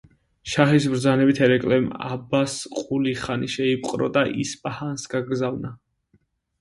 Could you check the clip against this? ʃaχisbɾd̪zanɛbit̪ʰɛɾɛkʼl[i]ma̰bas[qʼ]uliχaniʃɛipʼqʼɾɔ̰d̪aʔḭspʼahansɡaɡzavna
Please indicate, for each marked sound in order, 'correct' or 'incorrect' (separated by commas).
incorrect, correct